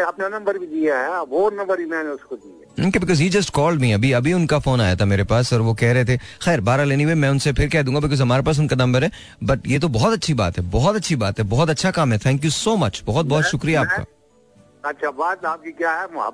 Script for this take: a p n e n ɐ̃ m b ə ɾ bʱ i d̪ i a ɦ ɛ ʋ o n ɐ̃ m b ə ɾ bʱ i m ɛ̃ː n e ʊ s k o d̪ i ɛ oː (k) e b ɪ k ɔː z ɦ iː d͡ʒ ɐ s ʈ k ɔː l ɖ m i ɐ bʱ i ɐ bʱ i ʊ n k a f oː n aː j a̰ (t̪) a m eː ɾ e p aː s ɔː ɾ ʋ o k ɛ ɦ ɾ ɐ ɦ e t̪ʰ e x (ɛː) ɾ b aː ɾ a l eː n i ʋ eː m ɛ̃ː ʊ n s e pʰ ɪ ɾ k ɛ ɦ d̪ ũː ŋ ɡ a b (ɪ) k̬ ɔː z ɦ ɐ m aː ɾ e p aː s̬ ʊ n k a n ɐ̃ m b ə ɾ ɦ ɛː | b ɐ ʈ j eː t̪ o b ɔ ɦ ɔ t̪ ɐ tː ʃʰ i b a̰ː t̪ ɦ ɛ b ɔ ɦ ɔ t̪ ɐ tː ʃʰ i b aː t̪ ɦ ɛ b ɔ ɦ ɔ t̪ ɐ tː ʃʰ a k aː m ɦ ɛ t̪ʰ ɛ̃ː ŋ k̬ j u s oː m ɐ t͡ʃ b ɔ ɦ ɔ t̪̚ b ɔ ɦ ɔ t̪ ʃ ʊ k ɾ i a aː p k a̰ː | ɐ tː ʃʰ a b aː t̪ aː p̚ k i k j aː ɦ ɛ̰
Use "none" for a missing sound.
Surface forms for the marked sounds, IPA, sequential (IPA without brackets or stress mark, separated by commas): k, t̪ʰ, ɛː, ɪ